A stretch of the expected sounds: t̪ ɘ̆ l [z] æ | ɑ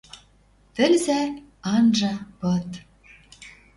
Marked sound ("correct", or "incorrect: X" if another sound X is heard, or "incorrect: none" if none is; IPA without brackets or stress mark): correct